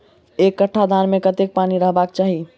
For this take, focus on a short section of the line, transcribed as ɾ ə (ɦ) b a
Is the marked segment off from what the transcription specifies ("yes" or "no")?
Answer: no